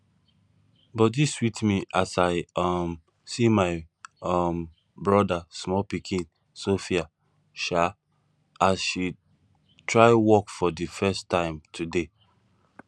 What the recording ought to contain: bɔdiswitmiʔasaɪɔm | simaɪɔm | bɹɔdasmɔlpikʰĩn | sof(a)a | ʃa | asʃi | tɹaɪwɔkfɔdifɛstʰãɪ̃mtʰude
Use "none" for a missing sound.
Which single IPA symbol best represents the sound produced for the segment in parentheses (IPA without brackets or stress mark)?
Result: i